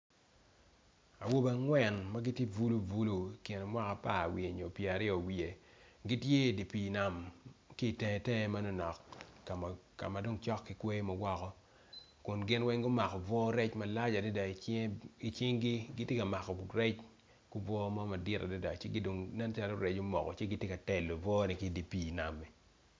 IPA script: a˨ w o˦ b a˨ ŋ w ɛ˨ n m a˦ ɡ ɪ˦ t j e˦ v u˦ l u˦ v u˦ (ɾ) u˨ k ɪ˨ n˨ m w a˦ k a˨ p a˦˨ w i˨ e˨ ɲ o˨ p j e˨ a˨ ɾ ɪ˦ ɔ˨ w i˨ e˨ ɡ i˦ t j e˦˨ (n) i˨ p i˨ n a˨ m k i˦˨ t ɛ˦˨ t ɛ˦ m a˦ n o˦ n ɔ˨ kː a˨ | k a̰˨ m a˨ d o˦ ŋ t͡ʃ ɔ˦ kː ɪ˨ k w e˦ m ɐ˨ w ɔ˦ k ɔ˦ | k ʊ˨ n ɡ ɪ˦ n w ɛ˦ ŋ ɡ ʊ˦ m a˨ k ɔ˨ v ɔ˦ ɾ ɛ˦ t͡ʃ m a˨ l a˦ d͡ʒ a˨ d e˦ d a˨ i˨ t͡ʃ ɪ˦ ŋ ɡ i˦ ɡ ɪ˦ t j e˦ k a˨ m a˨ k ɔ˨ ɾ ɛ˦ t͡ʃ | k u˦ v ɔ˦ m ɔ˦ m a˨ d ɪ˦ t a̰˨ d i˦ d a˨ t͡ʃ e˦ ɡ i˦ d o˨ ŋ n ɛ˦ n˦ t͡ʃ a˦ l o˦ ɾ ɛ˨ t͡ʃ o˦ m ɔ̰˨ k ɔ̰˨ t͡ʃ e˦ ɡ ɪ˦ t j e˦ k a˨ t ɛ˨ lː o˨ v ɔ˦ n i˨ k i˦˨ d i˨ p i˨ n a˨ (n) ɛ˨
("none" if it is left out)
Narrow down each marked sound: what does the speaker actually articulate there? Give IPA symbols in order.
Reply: l, d, m

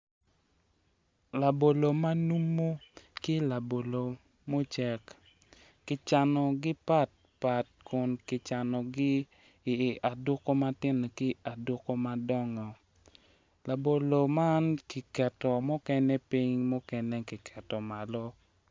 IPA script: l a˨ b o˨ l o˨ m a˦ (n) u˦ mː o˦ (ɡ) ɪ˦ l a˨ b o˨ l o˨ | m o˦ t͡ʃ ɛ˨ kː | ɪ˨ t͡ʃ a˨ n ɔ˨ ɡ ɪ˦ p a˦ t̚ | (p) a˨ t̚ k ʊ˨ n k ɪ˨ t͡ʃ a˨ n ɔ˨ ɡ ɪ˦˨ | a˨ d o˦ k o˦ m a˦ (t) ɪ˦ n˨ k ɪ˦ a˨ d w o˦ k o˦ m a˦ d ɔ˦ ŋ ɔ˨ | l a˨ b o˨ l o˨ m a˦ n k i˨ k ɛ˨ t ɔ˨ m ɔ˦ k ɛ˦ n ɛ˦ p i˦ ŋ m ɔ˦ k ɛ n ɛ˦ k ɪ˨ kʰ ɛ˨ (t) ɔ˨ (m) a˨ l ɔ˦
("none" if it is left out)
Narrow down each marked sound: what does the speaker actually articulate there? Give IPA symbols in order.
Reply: n, k, p, t, t, m

